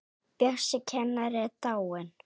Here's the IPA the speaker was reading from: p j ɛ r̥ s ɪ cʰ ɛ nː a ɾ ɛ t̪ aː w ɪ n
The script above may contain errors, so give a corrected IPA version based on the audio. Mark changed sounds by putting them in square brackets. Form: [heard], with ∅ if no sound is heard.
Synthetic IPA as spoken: p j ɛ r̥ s ɪ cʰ ɛ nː a ɾ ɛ t̪ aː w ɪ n